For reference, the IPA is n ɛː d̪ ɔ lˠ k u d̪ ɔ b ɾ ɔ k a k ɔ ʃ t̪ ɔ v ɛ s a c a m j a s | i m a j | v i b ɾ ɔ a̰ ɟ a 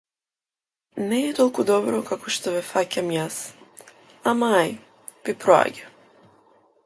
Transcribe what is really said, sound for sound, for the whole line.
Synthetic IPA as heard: n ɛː t̪ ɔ lˠ k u d̪ ɔ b ɾ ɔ k a k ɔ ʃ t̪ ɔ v ɛ f a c a m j a s | a m a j | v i p ɾ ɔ a̰ ɟ a